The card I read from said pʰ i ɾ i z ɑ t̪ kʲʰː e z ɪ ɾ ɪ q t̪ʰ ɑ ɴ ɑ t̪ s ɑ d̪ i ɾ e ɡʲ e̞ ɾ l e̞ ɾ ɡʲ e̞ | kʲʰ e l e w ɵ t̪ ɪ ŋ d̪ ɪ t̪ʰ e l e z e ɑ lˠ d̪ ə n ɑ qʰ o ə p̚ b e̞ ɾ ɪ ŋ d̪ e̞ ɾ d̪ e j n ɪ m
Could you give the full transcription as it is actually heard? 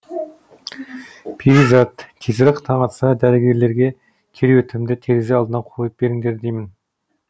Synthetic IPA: pʰ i ɾ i z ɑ t̪ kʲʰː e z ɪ ɾ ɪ q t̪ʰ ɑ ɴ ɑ t̪ s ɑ d̪ æ ɾ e ɡʲ e̞ ɾ l e̞ ɾ ɡʲ e̞ | kʲʰ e ɾ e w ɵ t̪ ɪ m d̪ ɪ t̪ʰ e ɾ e z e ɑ lˠ d̪ ə n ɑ qʰ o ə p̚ b e̞ ɾ ɪ ŋ d̪ e̞ ɾ d̪ e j m ɪ n